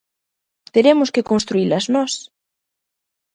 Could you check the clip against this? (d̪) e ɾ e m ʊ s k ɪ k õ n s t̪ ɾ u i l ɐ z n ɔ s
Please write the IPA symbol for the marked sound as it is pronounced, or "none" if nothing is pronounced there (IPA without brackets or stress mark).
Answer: t̪